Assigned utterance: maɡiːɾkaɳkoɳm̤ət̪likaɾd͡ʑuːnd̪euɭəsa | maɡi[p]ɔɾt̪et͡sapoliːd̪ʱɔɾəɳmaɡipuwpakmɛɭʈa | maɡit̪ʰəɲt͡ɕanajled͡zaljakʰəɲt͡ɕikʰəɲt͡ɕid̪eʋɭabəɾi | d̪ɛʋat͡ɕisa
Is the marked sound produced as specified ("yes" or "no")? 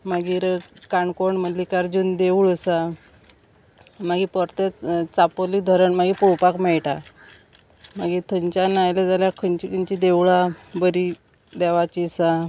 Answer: yes